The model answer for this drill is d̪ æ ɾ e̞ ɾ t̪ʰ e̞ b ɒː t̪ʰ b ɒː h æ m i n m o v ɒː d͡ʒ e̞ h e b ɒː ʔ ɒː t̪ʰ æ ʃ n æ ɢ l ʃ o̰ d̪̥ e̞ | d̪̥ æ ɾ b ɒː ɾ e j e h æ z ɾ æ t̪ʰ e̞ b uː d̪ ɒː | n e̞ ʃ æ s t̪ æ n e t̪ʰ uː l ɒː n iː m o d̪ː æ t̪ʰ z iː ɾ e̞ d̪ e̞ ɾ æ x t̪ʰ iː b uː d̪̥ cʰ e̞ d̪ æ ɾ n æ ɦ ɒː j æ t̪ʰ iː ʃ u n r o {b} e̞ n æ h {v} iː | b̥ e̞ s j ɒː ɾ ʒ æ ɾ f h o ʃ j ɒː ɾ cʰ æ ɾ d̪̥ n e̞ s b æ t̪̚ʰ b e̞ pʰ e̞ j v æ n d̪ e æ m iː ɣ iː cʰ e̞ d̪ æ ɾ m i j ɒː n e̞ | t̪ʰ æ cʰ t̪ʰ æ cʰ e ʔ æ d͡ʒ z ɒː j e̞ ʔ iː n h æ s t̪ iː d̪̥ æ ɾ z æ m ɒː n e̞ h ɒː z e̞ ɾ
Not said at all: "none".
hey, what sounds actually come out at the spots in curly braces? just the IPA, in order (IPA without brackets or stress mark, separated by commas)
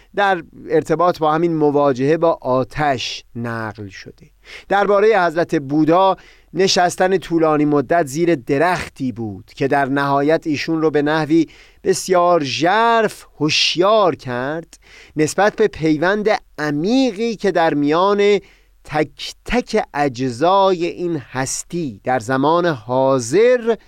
b, v